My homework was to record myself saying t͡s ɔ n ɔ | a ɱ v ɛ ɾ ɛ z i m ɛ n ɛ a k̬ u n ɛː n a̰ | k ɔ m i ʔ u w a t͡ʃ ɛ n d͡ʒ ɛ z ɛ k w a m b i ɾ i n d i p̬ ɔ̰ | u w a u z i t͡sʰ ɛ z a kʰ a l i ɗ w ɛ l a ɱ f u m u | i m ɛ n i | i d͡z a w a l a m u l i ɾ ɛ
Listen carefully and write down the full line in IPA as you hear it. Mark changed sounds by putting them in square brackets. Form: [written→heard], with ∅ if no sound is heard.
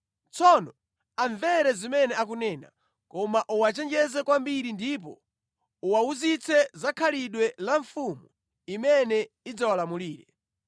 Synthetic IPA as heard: t͡s ɔ n ɔ | a ɱ v ɛ ɾ ɛ z i m ɛ n ɛ a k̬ u n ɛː n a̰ | k ɔ m [i→a] ʔ u w a t͡ʃ ɛ n d͡ʒ ɛ z ɛ k w a m b i ɾ i n d i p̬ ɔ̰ | u w a u z i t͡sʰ ɛ z a kʰ a l i ɗ w ɛ l a ɱ f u m u | i m ɛ n [i→ɛ] | i d͡z a w a l a m u l [i→iː] ɾ ɛ